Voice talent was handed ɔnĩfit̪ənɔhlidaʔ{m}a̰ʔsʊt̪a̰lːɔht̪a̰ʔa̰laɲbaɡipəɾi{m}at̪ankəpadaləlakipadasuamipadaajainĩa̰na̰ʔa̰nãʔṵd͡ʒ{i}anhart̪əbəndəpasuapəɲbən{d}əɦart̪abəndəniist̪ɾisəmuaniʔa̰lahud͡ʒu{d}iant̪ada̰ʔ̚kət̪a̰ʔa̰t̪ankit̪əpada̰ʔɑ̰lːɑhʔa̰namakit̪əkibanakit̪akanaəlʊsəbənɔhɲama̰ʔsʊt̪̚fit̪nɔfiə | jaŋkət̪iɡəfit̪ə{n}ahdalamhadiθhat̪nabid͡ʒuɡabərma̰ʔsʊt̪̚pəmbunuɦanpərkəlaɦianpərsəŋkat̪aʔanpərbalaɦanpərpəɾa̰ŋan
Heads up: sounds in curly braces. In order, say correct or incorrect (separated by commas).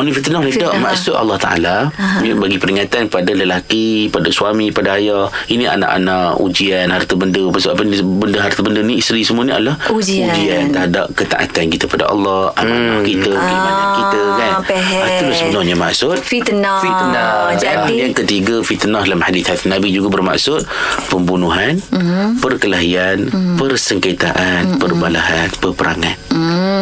correct, incorrect, correct, correct, incorrect, correct